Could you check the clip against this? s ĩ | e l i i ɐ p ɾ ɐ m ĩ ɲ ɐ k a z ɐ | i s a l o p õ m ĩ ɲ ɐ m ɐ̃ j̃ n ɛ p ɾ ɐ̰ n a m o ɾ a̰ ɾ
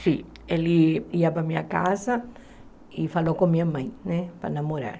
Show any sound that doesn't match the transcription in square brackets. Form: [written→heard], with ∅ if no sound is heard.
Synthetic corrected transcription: s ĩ | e l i i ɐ p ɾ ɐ m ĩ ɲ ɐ k a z ɐ | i [s→f] a l o [p→k] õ m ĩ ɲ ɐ m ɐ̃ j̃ n ɛ p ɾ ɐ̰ n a m o ɾ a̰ ɾ